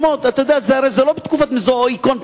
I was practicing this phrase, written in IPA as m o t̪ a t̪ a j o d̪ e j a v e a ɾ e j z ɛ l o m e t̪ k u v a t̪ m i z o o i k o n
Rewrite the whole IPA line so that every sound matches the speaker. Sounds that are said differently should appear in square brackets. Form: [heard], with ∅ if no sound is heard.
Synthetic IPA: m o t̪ a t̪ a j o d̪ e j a [z] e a ɾ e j z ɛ l o [b] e t̪ k u [f] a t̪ m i z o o i k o n